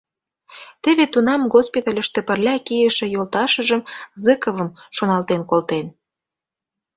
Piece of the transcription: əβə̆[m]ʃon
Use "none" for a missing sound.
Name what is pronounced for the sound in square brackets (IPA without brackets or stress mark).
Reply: m